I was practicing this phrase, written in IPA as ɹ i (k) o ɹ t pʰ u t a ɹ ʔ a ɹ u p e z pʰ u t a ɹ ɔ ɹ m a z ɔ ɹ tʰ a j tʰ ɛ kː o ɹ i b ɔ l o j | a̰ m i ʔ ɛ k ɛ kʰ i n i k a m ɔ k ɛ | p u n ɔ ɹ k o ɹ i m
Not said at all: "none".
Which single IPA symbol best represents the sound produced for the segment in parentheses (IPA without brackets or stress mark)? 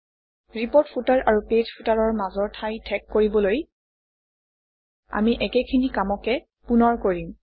p